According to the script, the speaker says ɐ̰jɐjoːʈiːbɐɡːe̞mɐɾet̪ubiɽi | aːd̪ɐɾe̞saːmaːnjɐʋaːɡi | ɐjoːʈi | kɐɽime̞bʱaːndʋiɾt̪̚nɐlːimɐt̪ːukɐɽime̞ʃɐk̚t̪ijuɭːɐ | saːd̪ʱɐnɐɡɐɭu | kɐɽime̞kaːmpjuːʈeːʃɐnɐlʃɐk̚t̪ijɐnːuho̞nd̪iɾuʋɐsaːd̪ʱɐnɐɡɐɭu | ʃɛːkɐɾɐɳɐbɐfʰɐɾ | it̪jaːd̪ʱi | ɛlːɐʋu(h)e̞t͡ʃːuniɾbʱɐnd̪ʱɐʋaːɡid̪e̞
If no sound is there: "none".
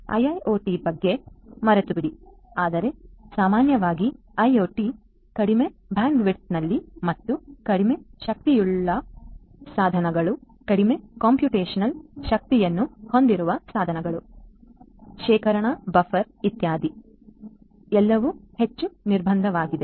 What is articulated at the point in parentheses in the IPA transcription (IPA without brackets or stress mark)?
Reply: h